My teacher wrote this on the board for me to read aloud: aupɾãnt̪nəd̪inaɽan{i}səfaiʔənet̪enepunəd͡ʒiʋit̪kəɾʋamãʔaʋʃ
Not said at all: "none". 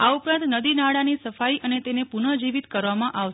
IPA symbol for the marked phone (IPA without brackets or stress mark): i